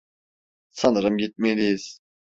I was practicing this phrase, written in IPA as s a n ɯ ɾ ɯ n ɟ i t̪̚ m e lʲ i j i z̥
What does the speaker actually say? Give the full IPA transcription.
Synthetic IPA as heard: s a n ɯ ɾ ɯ m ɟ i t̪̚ m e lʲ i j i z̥